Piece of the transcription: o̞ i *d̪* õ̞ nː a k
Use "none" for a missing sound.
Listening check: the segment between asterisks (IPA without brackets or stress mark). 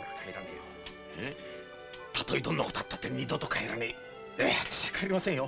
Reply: d̪